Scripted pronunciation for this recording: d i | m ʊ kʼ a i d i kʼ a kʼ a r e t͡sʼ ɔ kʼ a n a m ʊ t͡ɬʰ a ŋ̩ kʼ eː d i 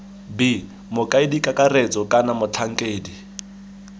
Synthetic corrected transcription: b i | m ʊ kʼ a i d i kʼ a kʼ a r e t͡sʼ ɔ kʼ a n a m ʊ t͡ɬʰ a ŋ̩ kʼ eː d i